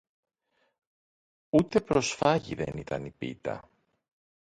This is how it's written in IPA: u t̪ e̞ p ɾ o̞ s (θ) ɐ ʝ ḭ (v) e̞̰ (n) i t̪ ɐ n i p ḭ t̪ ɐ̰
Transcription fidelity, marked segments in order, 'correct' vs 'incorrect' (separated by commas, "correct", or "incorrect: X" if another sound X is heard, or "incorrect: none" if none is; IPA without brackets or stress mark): incorrect: f, incorrect: ð, correct